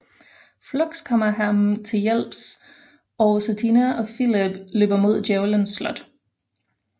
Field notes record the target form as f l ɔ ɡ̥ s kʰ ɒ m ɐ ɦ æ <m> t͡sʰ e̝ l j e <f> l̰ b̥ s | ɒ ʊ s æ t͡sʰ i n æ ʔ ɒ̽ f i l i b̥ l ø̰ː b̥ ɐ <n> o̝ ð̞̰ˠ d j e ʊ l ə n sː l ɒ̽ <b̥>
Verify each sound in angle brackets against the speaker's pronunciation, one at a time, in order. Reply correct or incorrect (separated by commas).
correct, incorrect, incorrect, incorrect